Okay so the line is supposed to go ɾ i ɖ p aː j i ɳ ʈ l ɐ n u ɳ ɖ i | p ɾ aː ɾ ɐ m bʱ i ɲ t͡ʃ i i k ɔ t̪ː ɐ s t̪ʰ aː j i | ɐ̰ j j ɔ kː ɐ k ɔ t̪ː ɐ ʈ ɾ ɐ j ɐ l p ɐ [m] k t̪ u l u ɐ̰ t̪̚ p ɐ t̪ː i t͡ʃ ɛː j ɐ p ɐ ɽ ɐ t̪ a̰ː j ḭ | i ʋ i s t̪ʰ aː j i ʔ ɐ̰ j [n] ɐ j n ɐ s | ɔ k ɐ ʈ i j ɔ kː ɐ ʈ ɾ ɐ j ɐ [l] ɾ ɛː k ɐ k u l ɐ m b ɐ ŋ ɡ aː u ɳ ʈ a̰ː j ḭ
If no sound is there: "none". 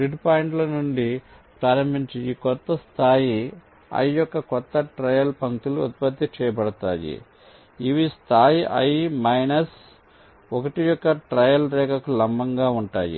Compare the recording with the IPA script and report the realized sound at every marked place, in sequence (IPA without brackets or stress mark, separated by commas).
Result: ŋ, m, l